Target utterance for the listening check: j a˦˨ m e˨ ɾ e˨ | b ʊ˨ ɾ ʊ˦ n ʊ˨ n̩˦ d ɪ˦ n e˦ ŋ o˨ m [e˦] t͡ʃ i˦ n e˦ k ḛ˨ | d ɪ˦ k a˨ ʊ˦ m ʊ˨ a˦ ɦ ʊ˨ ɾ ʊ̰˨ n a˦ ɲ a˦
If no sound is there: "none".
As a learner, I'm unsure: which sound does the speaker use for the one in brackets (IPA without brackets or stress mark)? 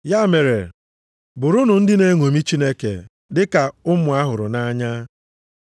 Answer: i˦